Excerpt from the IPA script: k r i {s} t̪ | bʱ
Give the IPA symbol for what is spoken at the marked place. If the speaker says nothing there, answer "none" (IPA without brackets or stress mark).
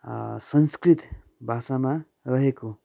none